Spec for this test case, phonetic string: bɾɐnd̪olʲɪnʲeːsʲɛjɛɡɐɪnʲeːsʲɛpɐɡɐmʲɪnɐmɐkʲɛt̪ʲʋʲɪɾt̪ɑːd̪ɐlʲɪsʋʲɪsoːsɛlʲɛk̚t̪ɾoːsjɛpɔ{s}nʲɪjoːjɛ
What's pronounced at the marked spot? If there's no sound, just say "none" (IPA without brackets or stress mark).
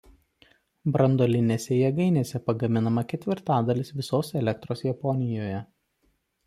none